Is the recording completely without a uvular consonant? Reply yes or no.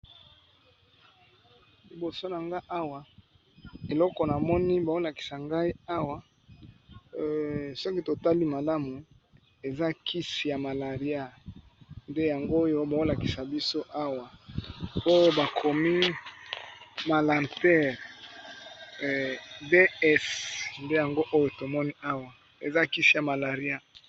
no